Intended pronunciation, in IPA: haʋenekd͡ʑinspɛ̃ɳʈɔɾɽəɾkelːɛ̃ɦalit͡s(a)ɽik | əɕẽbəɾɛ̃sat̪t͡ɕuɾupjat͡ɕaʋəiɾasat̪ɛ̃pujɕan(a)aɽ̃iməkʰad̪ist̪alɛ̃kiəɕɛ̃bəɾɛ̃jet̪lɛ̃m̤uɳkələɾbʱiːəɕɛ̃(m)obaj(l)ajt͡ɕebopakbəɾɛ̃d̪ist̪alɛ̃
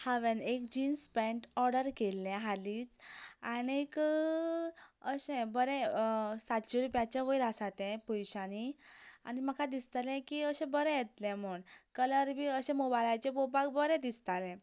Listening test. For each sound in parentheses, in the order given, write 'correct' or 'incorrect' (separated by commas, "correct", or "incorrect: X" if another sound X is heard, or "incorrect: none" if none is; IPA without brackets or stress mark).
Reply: correct, incorrect: i, correct, correct